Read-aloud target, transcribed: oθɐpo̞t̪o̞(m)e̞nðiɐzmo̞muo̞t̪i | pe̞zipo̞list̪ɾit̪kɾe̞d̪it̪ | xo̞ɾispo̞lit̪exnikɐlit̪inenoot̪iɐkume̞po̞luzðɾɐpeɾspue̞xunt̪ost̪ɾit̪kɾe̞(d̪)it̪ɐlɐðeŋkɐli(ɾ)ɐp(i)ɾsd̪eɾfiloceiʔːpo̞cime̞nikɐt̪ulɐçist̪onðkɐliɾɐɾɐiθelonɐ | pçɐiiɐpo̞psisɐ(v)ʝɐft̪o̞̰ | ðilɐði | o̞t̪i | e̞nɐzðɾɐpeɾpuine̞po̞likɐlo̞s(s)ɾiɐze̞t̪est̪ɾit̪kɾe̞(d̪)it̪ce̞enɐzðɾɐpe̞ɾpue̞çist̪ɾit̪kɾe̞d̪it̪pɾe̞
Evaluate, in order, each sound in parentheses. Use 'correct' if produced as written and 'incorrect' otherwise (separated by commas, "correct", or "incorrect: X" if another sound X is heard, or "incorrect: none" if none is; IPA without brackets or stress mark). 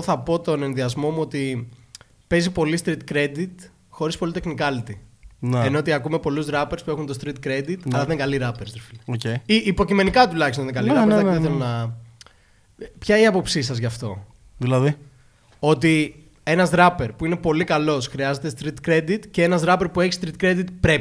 incorrect: n, correct, correct, incorrect: e, incorrect: z, incorrect: x, correct